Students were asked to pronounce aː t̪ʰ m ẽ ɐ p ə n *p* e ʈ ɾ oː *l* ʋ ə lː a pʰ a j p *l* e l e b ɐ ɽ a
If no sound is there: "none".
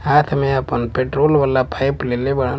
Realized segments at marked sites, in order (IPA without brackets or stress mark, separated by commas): p, l, l